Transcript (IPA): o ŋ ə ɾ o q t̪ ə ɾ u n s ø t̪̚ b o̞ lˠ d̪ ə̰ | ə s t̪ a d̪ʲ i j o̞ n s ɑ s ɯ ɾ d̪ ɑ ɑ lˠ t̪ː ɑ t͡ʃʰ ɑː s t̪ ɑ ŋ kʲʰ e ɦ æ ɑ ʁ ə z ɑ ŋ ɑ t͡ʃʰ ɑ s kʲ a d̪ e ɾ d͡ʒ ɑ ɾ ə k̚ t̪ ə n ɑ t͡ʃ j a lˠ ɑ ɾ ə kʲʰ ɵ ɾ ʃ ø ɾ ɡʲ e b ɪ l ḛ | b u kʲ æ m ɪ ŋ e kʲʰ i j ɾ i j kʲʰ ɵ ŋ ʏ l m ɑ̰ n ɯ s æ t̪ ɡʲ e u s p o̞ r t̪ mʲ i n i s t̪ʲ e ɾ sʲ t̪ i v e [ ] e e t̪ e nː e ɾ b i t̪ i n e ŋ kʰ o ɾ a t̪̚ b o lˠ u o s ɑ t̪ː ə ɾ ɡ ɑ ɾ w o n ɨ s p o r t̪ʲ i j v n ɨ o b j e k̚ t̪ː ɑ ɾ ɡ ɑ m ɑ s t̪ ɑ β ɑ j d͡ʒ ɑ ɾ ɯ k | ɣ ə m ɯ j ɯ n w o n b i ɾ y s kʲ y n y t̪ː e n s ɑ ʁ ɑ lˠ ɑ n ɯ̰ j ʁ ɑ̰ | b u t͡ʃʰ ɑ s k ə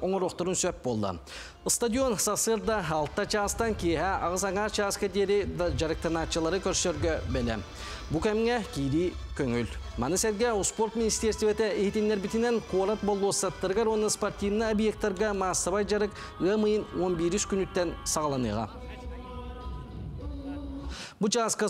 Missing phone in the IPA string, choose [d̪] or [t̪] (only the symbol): t̪